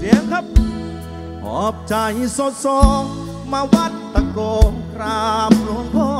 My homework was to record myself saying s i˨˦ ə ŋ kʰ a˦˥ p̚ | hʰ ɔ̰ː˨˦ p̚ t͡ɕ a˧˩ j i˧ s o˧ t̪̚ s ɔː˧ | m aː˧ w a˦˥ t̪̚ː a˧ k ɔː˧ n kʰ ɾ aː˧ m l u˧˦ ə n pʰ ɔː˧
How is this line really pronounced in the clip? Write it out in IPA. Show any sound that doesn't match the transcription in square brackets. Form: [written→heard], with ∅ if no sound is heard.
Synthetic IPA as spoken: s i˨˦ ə ŋ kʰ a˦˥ p̚ | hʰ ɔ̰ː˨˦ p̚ t͡ɕ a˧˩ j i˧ s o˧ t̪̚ s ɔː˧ | m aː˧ w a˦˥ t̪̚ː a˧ k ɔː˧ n kʰ ɾ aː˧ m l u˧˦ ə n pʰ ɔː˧